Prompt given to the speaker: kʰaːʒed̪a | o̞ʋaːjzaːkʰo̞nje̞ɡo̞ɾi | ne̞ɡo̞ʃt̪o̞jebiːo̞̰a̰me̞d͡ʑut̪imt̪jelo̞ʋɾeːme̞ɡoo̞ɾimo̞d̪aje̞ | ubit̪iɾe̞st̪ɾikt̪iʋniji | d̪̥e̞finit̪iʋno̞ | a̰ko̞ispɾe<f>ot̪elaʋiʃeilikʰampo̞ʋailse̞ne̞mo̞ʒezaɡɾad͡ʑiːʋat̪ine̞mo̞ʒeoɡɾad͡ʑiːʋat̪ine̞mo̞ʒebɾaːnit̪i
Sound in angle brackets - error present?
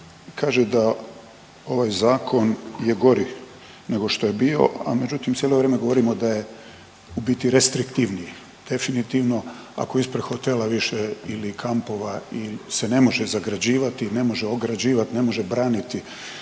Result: yes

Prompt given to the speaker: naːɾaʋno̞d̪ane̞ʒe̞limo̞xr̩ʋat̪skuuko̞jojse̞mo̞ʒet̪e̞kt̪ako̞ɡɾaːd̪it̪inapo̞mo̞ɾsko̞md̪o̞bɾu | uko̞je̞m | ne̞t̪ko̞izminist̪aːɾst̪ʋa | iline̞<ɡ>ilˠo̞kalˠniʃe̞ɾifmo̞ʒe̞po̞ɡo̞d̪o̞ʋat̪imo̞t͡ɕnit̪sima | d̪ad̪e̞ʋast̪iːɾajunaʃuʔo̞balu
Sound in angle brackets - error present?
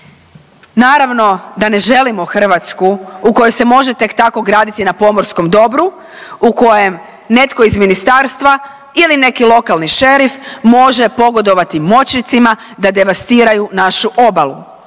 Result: yes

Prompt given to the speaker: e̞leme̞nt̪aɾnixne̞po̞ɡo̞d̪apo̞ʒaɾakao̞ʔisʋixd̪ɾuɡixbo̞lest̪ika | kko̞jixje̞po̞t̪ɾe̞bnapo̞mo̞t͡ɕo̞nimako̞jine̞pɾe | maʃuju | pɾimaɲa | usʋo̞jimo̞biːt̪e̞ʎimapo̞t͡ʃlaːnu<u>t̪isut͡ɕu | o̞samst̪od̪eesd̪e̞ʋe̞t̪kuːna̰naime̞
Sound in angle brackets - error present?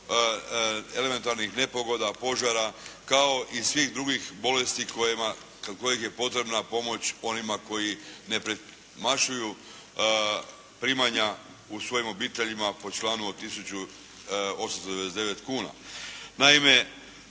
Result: yes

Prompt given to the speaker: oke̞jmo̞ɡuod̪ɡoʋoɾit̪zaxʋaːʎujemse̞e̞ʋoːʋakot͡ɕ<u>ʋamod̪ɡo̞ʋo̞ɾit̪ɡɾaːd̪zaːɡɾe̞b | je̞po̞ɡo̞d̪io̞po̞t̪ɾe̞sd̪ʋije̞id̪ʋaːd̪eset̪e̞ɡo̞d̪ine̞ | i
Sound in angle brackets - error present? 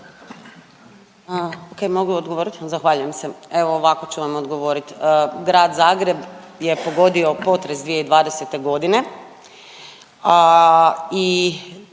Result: no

